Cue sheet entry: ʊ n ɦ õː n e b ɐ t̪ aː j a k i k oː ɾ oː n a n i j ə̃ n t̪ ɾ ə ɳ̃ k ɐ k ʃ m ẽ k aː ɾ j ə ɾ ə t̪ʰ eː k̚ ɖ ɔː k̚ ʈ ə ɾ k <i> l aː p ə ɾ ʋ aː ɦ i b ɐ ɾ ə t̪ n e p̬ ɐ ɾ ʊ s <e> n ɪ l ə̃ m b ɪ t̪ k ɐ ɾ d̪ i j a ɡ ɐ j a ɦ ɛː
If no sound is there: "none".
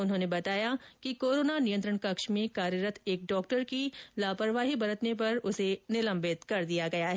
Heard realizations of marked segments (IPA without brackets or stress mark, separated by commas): i, e